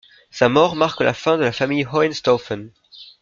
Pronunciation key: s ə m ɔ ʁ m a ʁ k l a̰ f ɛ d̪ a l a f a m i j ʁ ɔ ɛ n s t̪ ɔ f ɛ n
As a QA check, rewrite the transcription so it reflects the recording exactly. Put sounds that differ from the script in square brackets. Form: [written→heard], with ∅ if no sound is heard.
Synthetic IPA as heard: s [ə→a] m ɔ ʁ m a ʁ k l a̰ f [ɛ→ɛ̃] d̪ [a→ə] l a f a m i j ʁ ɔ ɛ n s t̪ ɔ f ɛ n

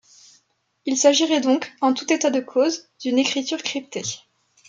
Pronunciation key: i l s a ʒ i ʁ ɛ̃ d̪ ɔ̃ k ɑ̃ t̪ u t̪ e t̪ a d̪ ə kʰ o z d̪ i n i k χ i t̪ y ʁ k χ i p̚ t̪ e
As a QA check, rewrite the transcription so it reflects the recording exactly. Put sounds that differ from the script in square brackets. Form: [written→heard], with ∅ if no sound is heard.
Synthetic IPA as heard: i l s a ʒ i ʁ [ɛ̃→ɛ] d̪ ɔ̃ k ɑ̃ t̪ u t̪ e t̪ a d̪ ə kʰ o z d̪ [i→y] n [i→e] k χ i t̪ y ʁ k χ i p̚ t̪ e

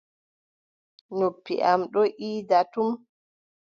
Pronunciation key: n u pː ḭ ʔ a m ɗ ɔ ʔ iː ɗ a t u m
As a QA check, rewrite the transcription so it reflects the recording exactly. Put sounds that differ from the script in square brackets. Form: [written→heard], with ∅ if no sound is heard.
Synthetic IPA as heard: n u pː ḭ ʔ a m ɗ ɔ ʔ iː [ɗ→d] a t u m

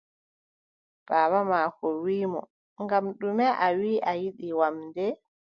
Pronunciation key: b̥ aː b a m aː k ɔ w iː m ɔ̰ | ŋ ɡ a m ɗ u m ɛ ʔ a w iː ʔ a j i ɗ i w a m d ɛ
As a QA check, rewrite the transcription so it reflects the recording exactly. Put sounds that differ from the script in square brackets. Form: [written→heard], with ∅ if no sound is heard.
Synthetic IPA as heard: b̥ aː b a m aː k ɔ w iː m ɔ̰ | ŋ ɡ a m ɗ u m ɛ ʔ a w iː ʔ a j i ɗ i w a m d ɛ

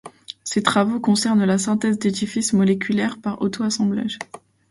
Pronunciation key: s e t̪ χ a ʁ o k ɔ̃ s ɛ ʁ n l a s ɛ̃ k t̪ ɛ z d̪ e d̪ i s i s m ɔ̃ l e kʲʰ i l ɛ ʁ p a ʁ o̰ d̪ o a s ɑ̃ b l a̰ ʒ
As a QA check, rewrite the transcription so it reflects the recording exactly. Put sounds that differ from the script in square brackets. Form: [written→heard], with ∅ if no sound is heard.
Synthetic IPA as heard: s e t̪ χ a [ʁ→v] o k ɔ̃ s ɛ ʁ n l a s ɛ̃ [k→∅] t̪ ɛ z d̪ e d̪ i [s→f] i s m [ɔ̃→ɔ] l e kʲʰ [i→y] l ɛ ʁ p a ʁ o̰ [d̪→t̪] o a s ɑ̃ b l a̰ ʒ

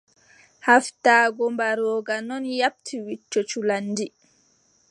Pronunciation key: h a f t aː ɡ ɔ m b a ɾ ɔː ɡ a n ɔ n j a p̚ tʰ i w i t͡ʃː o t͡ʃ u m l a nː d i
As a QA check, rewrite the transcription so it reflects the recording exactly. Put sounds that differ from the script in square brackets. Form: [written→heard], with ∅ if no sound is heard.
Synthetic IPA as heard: h a f t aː ɡ ɔ m b a ɾ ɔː ɡ a n ɔ n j a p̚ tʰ i w i t͡ʃː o t͡ʃ u [m→∅] l a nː d i

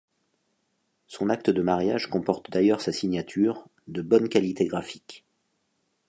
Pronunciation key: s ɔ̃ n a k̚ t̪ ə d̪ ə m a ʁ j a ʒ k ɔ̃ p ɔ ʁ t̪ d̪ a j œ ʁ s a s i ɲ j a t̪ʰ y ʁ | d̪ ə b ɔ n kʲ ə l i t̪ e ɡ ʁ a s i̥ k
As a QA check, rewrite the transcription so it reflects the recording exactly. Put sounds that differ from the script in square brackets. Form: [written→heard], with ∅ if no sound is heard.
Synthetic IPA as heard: s ɔ̃ n a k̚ t̪ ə d̪ ə m a ʁ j a ʒ k ɔ̃ p ɔ ʁ t̪ d̪ a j œ ʁ s a s i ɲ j a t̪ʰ y ʁ | d̪ ə b ɔ n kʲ [ə→a] l i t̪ e ɡ ʁ a [s→f] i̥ k

